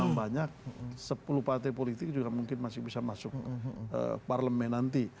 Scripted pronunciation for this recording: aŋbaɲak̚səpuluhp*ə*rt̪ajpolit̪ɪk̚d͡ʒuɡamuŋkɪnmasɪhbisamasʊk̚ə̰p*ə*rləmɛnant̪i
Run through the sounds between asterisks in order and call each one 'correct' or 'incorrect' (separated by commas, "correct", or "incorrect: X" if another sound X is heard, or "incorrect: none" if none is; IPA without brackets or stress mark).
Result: incorrect: a, incorrect: a